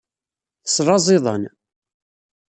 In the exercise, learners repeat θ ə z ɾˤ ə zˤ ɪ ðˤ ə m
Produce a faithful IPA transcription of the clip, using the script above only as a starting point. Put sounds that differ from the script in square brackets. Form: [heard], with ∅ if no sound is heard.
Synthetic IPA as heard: θ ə [s] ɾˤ [ɑ] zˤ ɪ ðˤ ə [n]